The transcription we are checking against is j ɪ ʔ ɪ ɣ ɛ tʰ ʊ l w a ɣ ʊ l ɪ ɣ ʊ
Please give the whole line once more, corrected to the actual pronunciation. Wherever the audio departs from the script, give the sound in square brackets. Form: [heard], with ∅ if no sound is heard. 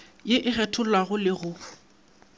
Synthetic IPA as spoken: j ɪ ʔ ɪ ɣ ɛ tʰ ʊ l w a ɣ ʊ l ɪ ɣ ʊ